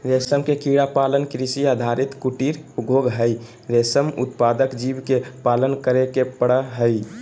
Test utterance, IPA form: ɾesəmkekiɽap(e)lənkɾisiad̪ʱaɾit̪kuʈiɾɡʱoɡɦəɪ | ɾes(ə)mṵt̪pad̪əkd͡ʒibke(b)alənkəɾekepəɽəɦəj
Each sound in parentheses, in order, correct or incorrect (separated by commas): incorrect, correct, incorrect